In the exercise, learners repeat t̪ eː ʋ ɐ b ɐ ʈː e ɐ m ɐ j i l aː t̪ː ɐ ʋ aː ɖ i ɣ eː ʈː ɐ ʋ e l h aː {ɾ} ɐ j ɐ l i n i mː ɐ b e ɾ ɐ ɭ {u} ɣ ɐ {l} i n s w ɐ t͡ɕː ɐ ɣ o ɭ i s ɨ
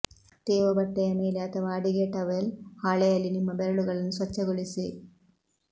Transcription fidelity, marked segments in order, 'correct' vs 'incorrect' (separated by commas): incorrect, correct, incorrect